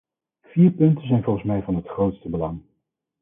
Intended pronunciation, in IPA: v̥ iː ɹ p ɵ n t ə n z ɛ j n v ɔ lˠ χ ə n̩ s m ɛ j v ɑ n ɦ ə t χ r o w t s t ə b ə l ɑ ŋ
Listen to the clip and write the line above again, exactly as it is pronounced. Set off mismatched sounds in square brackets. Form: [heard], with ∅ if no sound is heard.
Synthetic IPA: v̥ iː ɹ p ɵ n t ə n z ɛ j n v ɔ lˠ χ ə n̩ s m ɛ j v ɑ n ɦ ə t χ r o w t s t ə b ə l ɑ ŋ